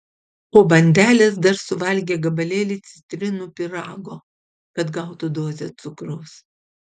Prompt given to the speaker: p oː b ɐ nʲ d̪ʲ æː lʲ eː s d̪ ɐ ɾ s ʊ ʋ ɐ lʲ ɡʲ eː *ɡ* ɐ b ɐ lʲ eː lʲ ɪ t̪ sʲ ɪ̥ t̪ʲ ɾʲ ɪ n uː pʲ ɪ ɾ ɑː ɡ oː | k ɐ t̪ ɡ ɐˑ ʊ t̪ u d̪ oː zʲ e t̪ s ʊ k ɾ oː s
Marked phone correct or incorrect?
correct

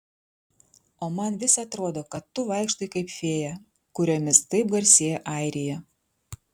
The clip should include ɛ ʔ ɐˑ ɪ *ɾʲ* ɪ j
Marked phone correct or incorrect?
correct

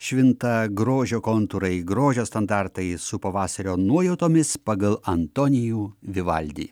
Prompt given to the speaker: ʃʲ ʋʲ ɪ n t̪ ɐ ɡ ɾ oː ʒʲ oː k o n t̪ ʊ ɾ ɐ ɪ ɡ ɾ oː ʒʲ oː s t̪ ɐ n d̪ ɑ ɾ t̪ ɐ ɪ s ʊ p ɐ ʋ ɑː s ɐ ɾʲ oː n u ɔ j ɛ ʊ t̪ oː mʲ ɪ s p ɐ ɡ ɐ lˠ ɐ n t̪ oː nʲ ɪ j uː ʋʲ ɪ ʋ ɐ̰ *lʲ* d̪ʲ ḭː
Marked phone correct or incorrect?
correct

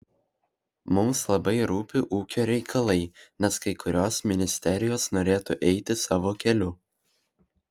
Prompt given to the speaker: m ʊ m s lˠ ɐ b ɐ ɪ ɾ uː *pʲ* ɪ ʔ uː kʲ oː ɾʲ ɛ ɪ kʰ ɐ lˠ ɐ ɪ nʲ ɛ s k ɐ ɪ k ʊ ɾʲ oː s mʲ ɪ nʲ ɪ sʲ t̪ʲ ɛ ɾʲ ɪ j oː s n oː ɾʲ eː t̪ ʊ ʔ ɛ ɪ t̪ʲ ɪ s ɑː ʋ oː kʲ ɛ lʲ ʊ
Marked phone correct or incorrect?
correct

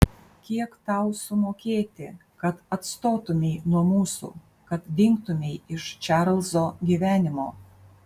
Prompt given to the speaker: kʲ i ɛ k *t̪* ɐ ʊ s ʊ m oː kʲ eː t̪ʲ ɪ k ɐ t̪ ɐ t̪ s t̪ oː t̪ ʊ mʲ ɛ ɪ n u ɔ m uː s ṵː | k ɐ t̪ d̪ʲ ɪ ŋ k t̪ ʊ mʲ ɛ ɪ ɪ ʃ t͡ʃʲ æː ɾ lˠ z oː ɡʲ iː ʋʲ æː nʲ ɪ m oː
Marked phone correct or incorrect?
correct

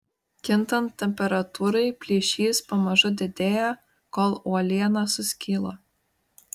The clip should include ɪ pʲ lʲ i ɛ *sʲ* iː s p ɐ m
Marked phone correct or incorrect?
incorrect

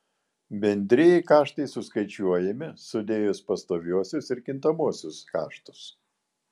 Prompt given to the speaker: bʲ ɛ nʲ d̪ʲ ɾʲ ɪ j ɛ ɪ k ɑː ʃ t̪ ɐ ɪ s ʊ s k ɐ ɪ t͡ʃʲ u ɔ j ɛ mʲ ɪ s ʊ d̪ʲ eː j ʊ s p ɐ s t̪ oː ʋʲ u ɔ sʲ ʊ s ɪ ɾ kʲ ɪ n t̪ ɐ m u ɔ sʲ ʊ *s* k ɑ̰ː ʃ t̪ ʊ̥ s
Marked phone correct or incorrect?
correct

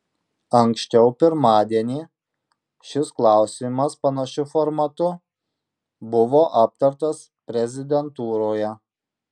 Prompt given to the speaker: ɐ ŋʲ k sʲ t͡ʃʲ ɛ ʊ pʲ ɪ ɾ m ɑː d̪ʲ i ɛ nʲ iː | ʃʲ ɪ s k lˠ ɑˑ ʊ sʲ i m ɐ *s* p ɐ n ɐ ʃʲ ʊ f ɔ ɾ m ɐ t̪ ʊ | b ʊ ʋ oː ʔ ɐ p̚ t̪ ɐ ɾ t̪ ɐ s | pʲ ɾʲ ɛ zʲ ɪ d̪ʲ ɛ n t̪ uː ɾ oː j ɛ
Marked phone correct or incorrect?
correct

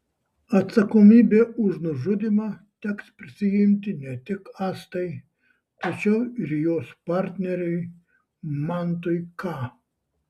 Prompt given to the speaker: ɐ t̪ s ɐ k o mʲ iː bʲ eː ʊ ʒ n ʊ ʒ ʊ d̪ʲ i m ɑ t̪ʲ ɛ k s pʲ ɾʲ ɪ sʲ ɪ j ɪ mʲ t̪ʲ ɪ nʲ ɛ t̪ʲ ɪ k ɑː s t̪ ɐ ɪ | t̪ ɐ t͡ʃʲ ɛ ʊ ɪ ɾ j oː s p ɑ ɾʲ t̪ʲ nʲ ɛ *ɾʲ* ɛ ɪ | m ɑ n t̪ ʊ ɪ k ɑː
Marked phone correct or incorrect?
correct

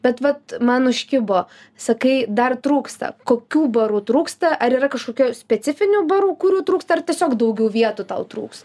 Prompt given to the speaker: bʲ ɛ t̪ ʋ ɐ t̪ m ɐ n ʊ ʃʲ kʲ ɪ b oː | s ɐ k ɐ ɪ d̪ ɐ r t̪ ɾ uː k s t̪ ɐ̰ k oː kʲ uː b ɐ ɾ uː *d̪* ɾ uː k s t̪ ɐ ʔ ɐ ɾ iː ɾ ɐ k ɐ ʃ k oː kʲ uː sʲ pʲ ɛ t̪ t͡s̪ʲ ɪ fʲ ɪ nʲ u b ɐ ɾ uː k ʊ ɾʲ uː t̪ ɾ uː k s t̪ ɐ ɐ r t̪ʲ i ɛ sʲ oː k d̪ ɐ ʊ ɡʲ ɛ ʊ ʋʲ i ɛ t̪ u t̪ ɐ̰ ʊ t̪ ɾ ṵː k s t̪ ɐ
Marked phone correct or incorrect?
incorrect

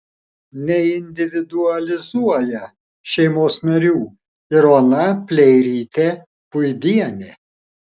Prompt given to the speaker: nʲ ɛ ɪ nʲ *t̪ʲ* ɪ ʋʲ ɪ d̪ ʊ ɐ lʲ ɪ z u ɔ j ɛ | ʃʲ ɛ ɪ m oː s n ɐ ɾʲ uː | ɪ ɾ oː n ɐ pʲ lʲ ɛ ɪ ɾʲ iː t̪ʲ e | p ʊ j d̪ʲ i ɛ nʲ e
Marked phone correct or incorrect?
incorrect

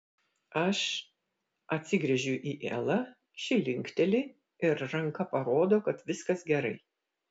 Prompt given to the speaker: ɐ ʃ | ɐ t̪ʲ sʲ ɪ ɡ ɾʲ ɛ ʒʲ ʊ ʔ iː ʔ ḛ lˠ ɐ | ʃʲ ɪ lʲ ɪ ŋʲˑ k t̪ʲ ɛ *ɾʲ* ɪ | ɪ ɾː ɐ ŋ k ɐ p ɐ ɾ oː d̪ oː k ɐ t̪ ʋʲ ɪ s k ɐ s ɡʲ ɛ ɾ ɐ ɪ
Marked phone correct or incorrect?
incorrect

